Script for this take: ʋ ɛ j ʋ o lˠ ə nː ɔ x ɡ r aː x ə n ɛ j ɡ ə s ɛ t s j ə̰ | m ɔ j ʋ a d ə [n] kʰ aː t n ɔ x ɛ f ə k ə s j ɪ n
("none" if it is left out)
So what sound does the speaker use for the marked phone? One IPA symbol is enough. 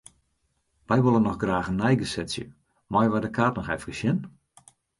none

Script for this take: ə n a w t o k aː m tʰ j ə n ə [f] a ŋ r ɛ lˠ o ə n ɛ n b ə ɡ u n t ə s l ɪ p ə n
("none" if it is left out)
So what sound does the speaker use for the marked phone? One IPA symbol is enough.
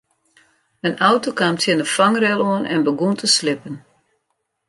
f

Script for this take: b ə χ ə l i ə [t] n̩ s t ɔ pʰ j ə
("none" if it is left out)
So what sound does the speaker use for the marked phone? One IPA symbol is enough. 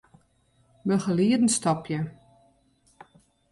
d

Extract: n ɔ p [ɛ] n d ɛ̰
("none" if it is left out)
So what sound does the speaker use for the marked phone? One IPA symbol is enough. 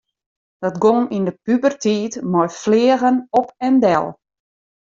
ɛ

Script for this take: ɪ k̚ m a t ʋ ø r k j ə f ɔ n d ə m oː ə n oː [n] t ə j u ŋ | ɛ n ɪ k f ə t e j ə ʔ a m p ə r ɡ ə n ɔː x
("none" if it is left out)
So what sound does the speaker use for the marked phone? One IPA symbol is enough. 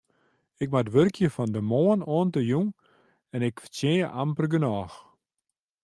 n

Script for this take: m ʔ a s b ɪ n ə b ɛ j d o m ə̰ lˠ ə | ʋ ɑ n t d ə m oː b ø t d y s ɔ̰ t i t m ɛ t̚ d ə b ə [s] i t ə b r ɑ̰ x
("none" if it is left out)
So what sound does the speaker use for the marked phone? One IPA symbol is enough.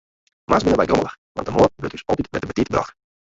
t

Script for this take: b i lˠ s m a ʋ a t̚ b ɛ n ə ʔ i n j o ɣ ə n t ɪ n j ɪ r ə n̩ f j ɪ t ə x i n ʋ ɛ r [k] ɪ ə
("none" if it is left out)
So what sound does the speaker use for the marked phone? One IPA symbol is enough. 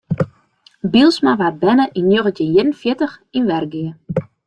ɡ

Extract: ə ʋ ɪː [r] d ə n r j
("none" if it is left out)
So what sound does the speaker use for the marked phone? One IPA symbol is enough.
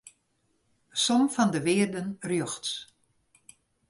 r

